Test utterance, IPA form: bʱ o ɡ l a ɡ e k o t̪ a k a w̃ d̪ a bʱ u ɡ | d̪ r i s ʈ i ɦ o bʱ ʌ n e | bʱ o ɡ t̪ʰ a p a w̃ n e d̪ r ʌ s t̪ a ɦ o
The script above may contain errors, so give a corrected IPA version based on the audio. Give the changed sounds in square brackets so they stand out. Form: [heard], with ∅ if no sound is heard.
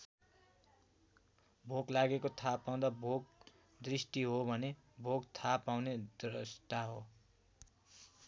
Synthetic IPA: bʱ o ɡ l a ɡ e k o [t̪ʰ] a [p] a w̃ d̪ a bʱ [o] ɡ | d̪ r i s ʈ i ɦ o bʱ ʌ n e | bʱ o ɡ t̪ʰ a p a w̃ n e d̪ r ʌ s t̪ a ɦ o